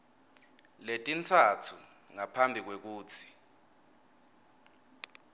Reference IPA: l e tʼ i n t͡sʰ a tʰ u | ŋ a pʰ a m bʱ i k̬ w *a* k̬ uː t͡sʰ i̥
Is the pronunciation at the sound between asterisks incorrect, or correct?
incorrect